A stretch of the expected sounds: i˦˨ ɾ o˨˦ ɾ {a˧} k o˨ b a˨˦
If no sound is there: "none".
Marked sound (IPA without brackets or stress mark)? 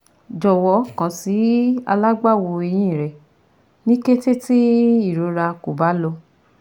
a˧